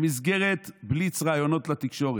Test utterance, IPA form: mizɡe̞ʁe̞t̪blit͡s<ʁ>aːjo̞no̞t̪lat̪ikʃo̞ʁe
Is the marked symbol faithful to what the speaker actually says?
yes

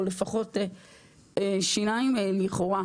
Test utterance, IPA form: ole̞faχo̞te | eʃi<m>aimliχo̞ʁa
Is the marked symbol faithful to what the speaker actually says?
no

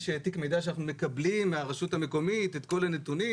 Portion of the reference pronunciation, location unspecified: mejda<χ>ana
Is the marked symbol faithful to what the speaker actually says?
no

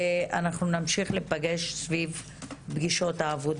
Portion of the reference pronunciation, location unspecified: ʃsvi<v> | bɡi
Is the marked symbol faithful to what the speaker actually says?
yes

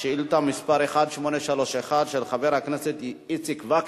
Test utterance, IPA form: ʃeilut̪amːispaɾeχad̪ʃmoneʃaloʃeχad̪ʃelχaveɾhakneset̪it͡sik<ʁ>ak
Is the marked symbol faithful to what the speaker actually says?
no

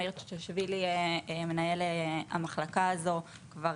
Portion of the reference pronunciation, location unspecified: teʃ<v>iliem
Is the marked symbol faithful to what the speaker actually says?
yes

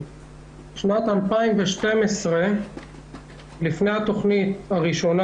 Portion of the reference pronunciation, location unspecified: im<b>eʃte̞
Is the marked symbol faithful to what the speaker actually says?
no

